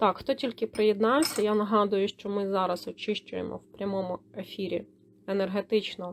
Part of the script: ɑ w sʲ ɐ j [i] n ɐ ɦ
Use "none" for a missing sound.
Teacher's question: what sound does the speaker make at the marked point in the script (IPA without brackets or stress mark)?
a